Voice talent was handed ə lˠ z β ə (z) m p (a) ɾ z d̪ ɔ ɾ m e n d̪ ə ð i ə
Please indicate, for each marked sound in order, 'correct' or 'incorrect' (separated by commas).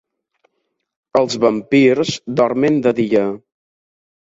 incorrect, incorrect